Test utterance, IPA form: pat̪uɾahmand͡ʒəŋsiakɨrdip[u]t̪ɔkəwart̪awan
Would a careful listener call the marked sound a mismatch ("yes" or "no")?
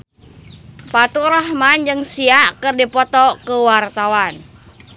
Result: yes